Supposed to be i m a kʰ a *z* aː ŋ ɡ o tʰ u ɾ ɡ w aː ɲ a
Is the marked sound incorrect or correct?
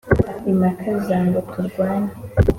correct